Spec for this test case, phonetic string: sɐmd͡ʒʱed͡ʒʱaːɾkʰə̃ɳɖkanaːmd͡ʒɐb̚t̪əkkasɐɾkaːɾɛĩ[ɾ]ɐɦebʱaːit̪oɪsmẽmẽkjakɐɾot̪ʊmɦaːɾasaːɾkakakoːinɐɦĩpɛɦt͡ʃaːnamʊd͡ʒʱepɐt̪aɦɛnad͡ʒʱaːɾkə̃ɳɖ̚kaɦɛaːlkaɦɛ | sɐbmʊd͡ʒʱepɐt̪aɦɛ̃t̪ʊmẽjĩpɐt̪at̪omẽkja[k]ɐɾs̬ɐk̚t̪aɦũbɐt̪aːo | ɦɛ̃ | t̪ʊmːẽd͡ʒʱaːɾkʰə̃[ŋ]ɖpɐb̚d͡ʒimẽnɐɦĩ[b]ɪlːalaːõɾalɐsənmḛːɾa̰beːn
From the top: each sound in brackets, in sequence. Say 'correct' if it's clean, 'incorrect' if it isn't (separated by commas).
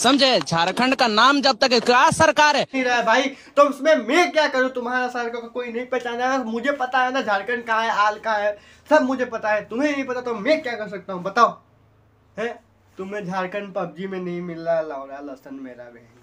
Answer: correct, correct, incorrect, incorrect